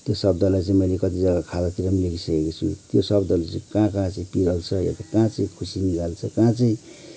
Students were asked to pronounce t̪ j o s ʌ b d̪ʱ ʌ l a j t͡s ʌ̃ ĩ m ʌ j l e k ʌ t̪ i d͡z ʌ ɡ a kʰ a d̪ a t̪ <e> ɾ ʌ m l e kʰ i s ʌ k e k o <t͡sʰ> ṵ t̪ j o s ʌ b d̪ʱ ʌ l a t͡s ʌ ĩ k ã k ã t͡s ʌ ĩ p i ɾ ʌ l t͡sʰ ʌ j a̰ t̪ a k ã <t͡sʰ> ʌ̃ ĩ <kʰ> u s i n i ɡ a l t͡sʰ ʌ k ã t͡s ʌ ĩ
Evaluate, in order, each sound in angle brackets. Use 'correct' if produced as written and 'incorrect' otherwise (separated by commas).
incorrect, correct, incorrect, correct